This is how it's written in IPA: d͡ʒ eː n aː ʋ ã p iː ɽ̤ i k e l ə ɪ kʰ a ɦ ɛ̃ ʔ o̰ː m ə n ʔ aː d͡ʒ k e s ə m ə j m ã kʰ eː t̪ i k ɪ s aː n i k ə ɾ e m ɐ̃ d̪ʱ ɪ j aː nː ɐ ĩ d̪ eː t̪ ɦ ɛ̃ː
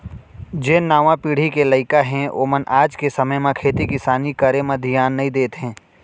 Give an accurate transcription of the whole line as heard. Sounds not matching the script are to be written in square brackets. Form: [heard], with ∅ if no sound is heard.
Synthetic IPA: d͡ʒ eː n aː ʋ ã p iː ɽ̤ i k e l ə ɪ [k] a ɦ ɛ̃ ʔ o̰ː m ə n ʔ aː d͡ʒ k e s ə m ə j m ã kʰ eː t̪ i k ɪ s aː n i k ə ɾ e m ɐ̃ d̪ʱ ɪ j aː nː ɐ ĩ d̪ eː t̪ ɦ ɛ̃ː